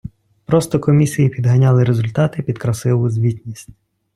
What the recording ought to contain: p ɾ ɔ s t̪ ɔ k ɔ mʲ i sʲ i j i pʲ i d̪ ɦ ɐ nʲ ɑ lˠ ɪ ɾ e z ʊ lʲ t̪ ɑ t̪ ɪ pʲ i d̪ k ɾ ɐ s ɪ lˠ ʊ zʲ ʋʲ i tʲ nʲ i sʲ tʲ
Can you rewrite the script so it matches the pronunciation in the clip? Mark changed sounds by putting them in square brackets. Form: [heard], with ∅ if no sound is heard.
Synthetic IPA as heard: p ɾ ɔ s t̪ ɔ k ɔ mʲ i sʲ i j i pʲ i d̪ ɦ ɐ nʲ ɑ lˠ ɪ ɾ e z ʊ lʲ t̪ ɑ t̪ ɪ pʲ i d̪ k ɾ ɐ s ɪ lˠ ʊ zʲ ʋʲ i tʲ nʲ i sʲ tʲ